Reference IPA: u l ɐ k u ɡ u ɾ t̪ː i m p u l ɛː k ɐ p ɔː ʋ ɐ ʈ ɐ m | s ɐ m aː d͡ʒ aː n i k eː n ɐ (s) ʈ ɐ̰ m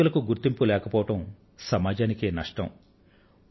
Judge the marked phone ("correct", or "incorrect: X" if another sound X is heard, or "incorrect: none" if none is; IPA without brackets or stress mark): incorrect: ʂ